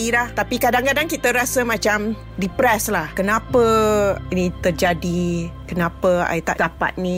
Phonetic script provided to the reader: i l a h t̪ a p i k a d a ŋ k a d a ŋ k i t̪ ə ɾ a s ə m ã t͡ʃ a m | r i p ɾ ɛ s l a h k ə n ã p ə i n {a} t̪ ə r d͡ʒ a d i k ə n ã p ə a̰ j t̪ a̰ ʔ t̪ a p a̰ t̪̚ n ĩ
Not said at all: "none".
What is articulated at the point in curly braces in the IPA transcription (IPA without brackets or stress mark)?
i